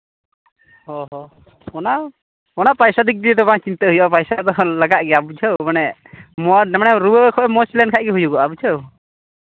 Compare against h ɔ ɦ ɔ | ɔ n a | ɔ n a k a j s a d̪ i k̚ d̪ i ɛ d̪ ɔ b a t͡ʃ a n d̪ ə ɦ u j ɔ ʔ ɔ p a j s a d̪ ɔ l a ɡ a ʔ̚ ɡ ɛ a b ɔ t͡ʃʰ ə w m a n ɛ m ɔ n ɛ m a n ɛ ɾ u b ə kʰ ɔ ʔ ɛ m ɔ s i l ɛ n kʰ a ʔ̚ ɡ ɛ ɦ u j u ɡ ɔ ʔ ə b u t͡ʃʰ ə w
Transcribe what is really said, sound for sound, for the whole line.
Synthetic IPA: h ɔ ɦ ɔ | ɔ n a | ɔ n a p a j s a d̪ i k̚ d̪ i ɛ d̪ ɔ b a t͡ʃ i n t̪ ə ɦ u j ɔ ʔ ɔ p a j s a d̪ ɔ l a ɡ a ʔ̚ ɡ ɛ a b u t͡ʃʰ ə w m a n ɛ m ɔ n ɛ m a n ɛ ɾ u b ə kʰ ɔ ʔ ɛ m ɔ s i l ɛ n kʰ a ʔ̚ ɡ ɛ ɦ u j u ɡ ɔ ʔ a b u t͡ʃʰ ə w